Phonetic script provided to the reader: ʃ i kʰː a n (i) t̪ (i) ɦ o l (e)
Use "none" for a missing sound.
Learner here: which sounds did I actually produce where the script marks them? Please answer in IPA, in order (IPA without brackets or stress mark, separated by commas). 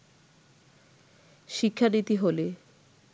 i, i, e